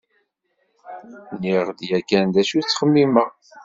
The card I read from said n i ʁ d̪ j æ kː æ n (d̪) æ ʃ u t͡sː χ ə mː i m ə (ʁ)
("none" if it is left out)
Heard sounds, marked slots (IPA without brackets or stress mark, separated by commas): d̪, ʁ